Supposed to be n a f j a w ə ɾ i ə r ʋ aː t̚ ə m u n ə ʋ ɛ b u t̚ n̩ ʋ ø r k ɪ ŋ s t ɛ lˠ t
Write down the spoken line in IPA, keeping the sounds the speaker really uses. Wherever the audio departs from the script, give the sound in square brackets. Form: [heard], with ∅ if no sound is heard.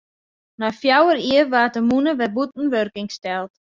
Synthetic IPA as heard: n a f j a w ə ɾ i ə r ʋ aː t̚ ə m u n ə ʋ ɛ b u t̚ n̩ ʋ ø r k ɪ ŋ s t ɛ lˠ t